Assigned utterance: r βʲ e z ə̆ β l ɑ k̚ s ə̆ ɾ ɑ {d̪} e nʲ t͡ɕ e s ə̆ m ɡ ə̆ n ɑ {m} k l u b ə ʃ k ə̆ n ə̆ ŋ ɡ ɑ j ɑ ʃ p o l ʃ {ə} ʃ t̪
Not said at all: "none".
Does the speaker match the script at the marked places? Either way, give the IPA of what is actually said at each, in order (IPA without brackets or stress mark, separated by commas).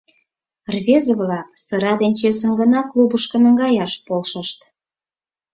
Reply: d̪, none, ə